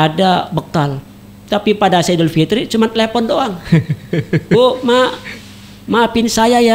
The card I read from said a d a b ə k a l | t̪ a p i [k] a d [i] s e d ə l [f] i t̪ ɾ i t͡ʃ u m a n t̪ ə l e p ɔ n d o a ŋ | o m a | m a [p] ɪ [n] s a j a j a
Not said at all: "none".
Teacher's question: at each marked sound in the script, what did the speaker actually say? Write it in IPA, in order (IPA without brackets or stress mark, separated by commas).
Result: p, a, f, p, n